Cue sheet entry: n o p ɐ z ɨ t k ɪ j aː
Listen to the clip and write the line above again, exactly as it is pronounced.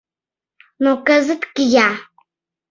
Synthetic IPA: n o k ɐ z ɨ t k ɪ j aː